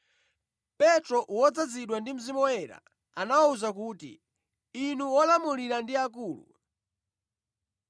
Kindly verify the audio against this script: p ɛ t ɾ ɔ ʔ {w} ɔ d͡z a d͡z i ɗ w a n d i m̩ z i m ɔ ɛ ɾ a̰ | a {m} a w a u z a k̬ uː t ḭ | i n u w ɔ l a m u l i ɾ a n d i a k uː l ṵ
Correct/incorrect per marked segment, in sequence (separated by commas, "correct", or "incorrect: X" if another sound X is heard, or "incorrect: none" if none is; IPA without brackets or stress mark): correct, incorrect: n